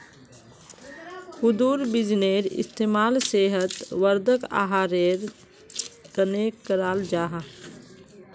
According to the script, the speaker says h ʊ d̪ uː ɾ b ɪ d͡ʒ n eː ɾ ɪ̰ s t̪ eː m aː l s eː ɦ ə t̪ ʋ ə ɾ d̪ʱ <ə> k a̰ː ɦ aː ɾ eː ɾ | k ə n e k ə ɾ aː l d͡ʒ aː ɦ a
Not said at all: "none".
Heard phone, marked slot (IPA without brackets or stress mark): ə